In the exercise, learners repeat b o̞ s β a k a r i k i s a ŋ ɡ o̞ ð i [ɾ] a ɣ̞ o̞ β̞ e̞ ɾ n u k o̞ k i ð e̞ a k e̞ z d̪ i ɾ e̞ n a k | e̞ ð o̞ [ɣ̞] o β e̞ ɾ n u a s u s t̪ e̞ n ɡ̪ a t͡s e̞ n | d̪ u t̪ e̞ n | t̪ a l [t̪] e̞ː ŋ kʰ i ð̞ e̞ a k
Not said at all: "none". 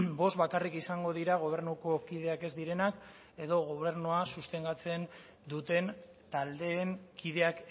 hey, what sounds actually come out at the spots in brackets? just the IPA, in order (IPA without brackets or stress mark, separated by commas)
ɾ, ɣ̞, d̪